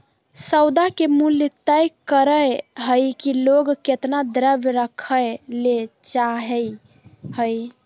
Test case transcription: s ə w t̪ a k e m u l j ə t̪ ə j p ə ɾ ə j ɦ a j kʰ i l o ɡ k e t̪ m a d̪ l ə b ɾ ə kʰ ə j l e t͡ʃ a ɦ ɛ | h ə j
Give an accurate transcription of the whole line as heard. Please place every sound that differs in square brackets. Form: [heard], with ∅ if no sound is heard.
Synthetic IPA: s ə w [d̪] a k e m u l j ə t̪ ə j [k] ə ɾ ə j ɦ [ə] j [k] i l o ɡ k e t̪ [n] a d̪ [ɾ] ə b ɾ ə kʰ ə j l e t͡ʃ a ɦ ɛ | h ə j